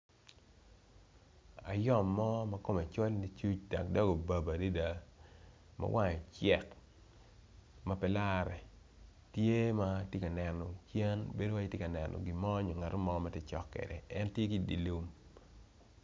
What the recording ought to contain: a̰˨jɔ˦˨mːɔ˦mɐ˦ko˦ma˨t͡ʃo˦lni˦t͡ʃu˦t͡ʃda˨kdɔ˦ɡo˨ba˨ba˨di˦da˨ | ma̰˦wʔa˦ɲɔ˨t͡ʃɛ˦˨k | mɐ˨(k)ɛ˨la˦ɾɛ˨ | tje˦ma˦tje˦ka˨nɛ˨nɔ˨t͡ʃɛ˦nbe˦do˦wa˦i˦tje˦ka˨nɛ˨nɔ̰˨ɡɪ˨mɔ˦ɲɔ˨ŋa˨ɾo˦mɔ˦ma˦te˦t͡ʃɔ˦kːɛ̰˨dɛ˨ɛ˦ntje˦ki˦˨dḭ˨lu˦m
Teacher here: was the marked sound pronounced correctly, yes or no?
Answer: no